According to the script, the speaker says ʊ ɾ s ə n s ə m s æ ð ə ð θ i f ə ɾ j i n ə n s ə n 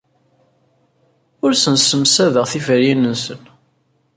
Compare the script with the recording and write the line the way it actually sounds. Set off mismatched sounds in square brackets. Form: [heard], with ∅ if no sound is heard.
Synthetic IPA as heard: ʊ ɾ s ə n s ə m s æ ð ə [ʁ] θ i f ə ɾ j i n ə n s ə n